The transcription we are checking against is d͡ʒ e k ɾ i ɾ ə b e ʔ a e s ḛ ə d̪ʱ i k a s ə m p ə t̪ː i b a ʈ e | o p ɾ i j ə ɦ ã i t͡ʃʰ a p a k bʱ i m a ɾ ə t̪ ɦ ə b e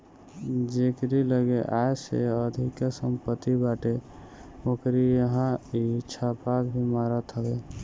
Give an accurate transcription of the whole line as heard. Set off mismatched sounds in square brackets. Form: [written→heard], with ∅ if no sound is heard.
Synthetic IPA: d͡ʒ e k ɾ i [ɾ→l] ə [b→ɡ] e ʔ a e s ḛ ə d̪ʱ i k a s ə m p ə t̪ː i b a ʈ e | o [p→k] ɾ i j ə ɦ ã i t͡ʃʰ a p a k bʱ i m a ɾ ə t̪ ɦ ə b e